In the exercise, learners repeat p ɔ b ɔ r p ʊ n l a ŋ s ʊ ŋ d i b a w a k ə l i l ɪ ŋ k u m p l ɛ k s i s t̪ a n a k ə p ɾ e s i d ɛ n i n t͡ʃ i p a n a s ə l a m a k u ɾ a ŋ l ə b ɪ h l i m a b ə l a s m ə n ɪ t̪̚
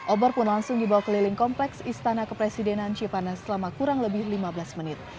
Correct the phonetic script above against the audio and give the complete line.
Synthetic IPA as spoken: ʔ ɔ b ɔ r p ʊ n l a ŋ s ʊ ŋ d i b a w a k ə l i l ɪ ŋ k ɔ m p l ɛ k s i s t̪ a n a k ə p ɾ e s i d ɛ n a n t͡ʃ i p a n a s ə l a m a k u ɾ a ŋ l ə b ɪ h l i m a b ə l a s m ə n ɪ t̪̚